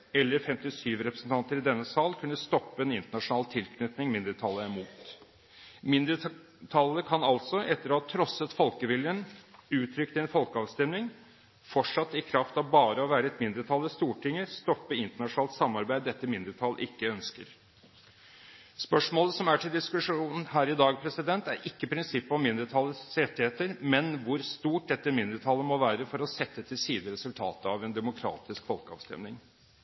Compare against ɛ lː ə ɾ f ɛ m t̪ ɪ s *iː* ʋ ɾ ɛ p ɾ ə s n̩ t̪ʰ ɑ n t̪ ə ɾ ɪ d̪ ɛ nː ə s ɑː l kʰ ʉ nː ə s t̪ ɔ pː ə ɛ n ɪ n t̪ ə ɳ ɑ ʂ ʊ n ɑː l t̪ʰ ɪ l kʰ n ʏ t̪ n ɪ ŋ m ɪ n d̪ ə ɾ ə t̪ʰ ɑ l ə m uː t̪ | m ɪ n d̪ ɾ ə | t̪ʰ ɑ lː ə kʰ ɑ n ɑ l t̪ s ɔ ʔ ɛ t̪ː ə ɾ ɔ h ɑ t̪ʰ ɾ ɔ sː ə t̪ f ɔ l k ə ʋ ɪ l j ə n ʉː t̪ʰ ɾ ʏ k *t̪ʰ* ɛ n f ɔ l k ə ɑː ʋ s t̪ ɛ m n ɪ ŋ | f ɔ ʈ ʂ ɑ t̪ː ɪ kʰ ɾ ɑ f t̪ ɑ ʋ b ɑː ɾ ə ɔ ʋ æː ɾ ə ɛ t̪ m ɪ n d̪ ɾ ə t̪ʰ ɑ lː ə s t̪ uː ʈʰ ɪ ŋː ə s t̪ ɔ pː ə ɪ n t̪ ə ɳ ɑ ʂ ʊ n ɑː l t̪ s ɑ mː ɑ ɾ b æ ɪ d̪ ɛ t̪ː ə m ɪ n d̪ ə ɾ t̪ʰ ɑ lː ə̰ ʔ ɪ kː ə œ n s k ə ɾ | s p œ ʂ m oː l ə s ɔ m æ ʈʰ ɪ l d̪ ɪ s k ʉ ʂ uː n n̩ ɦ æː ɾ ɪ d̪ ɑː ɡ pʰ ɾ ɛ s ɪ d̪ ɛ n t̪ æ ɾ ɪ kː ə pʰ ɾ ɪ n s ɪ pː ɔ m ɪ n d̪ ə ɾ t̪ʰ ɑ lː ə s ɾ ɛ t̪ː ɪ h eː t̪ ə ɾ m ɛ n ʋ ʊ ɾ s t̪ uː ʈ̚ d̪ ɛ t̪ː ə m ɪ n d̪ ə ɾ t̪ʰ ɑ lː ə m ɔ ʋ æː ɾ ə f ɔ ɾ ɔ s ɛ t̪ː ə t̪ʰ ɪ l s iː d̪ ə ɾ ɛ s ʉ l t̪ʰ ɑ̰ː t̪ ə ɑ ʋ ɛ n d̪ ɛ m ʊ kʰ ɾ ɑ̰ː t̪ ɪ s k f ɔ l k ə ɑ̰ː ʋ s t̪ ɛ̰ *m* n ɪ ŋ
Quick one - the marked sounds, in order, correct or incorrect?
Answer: incorrect, incorrect, correct

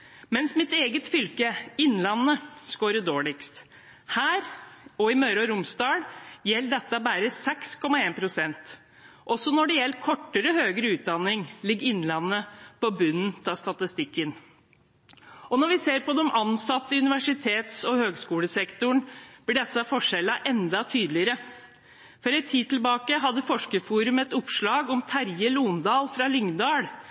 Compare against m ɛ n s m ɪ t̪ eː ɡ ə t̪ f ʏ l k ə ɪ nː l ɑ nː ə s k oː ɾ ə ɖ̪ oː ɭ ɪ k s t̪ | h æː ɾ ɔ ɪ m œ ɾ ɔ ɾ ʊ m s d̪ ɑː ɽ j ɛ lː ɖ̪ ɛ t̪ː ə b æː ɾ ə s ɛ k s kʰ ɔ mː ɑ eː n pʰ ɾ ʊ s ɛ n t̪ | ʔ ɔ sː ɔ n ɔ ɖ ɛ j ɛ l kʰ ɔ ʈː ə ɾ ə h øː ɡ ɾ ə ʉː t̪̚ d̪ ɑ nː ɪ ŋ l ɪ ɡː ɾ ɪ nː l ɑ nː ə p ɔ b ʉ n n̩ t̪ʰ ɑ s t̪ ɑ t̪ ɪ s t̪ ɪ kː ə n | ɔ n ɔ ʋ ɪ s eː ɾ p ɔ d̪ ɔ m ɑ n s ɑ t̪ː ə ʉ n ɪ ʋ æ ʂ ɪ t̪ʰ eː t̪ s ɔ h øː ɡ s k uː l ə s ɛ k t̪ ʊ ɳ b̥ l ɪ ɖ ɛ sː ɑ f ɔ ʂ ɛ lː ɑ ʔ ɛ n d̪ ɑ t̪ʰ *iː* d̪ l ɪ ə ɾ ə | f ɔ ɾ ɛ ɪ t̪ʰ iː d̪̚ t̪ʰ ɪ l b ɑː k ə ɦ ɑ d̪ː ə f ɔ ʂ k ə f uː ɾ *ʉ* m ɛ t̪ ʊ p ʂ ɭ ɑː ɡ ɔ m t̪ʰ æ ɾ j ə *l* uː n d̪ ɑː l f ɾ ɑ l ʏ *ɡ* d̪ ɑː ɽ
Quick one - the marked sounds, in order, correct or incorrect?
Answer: incorrect, correct, correct, incorrect

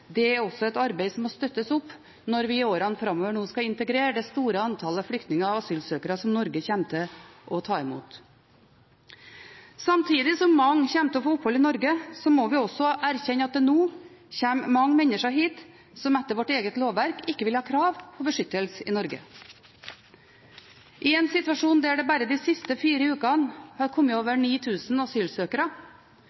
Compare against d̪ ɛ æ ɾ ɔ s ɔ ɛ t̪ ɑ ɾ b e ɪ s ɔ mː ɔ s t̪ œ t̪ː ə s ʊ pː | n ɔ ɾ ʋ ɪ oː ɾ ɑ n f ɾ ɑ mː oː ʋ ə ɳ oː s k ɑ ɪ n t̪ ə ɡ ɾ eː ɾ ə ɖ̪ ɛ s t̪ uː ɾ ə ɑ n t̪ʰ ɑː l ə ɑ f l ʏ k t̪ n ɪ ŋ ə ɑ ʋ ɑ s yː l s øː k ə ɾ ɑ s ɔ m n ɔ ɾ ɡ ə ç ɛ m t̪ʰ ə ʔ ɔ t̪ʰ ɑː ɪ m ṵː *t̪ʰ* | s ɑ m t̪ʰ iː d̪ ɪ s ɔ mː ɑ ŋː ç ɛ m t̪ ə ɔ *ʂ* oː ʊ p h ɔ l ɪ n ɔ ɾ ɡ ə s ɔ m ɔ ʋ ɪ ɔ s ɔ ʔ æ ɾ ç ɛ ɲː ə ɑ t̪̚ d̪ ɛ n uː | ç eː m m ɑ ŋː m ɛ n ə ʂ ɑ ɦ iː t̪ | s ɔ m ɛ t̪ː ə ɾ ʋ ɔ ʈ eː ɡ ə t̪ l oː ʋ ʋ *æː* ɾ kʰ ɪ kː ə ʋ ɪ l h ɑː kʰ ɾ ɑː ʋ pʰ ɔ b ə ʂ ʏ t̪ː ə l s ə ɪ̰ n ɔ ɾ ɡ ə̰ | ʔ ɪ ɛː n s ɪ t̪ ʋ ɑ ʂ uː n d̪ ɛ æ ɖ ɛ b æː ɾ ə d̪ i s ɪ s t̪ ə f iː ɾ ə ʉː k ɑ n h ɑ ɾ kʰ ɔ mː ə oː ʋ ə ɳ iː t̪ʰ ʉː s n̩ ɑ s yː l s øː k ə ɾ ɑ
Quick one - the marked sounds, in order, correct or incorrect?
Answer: incorrect, incorrect, incorrect

